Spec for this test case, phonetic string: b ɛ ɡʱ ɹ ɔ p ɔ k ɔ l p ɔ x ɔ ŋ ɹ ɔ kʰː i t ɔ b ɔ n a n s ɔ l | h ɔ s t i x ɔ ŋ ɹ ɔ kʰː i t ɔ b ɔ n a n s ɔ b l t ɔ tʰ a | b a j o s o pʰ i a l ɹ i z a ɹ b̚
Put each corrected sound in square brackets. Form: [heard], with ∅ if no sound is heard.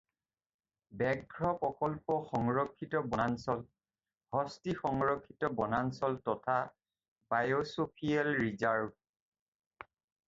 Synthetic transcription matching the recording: b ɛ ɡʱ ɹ ɔ p ɔ k ɔ l p ɔ x ɔ ŋ ɹ ɔ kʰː i t ɔ b ɔ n a n s ɔ l | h ɔ s t i x ɔ ŋ ɹ ɔ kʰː i t ɔ b ɔ n a n s ɔ [∅] l t ɔ tʰ a | b a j o s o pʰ i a l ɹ i z a ɹ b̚